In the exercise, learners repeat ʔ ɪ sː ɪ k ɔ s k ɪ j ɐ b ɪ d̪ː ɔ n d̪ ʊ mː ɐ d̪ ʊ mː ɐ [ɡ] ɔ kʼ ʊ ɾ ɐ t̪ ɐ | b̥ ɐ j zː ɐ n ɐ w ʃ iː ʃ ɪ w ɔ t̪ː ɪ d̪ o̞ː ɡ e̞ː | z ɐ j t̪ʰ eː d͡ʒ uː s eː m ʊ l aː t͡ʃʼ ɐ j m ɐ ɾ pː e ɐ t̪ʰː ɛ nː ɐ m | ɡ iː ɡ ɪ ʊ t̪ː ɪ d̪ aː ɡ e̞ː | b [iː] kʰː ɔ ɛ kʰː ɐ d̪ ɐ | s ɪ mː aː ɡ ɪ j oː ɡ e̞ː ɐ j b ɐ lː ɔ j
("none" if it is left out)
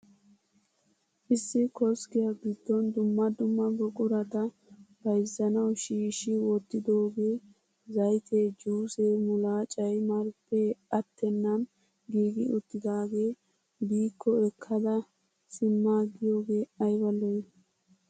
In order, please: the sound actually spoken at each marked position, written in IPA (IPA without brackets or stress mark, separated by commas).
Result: ɡ, iː